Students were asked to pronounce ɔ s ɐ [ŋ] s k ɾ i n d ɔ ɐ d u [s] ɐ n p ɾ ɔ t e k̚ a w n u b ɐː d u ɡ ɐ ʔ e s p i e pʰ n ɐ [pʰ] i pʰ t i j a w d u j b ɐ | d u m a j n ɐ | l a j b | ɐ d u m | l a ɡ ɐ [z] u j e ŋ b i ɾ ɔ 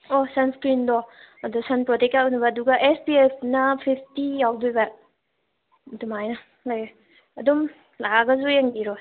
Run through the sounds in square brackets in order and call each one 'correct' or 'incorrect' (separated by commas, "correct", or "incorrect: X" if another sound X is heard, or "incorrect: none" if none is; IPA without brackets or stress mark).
incorrect: n, correct, correct, correct